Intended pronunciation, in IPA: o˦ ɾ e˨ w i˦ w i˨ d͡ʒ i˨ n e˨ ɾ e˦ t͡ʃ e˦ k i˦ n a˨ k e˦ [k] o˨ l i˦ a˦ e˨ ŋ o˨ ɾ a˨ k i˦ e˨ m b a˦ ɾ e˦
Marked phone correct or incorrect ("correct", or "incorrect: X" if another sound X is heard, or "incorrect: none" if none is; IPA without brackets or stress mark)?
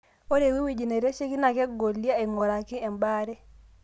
incorrect: ɡ